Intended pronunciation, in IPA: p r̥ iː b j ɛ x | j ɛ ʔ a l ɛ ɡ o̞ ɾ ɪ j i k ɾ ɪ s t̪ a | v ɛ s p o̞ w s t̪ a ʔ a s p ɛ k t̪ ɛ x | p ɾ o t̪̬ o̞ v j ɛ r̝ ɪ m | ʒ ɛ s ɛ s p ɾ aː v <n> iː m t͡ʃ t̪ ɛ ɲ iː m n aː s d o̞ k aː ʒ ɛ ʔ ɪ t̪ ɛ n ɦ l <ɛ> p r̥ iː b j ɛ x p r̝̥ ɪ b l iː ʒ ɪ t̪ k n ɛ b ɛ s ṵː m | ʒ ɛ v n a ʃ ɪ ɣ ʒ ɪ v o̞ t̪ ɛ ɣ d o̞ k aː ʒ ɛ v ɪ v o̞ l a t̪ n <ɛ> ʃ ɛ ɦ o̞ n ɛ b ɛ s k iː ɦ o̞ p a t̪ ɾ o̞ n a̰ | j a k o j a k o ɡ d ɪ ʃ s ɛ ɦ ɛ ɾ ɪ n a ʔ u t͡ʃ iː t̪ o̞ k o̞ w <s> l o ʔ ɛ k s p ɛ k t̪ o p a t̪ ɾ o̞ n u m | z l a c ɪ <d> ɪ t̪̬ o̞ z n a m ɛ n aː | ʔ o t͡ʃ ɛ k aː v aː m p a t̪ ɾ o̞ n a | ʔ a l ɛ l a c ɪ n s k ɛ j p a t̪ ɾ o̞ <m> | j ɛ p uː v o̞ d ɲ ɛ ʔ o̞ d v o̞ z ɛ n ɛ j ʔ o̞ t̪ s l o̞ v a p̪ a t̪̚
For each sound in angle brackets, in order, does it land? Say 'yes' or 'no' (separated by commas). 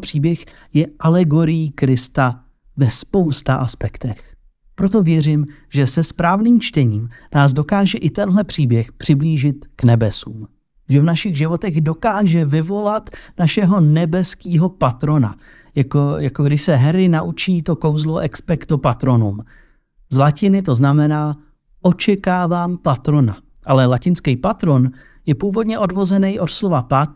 yes, yes, no, no, no, no